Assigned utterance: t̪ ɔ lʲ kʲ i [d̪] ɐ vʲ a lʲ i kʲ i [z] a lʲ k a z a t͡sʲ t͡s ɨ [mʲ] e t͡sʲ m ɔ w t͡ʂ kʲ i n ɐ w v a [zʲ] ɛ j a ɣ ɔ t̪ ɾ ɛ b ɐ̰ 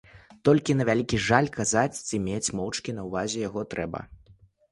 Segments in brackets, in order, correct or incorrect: incorrect, incorrect, correct, correct

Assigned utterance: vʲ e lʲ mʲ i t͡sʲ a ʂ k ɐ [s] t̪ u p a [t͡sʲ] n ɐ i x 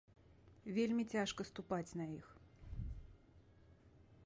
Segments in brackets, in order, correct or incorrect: correct, correct

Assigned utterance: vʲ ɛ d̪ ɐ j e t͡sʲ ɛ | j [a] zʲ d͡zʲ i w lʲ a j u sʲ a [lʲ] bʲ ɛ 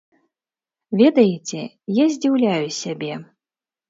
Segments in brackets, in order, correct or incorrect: correct, incorrect

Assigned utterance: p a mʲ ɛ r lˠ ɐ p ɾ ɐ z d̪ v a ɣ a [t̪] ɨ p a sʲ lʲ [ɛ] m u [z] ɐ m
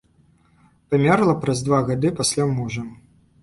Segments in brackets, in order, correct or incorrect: incorrect, incorrect, incorrect

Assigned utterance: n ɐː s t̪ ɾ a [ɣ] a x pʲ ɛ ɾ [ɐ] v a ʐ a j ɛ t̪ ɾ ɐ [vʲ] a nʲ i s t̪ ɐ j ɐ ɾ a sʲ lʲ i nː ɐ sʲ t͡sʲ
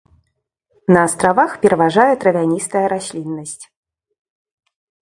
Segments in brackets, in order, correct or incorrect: incorrect, correct, correct

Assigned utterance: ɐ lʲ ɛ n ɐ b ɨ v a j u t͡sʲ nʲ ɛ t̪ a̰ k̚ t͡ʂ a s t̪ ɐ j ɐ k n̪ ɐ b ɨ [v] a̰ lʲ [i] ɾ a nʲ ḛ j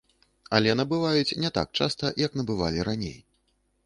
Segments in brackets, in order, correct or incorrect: correct, correct

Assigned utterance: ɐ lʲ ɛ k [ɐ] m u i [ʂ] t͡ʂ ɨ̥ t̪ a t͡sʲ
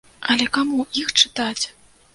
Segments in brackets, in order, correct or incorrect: incorrect, incorrect

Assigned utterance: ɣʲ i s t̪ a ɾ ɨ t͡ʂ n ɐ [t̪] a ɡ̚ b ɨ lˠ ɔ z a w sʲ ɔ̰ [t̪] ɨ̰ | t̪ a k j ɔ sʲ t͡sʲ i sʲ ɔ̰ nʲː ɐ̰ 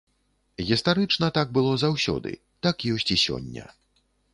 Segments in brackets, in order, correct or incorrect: correct, incorrect

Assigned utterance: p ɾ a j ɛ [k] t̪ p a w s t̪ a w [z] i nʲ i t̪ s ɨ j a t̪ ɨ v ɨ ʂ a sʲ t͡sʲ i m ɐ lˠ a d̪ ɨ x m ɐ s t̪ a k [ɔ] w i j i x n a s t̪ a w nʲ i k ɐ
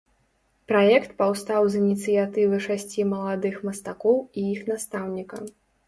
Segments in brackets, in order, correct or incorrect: correct, correct, correct

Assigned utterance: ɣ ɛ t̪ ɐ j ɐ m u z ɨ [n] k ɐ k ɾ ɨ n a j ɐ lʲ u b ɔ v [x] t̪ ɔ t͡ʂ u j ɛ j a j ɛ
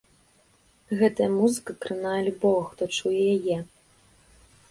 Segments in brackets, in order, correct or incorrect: incorrect, correct

